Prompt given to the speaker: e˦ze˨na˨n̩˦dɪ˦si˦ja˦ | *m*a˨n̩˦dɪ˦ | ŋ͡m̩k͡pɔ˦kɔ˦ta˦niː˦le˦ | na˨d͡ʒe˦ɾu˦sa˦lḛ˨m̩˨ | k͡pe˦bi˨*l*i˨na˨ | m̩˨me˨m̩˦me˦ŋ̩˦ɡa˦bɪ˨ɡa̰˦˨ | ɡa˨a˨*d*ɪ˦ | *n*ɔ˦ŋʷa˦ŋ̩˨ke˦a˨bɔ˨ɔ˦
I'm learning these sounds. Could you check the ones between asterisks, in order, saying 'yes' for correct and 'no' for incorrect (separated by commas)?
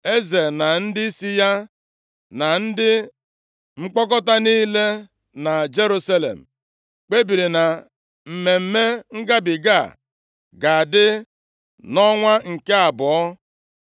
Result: no, no, yes, yes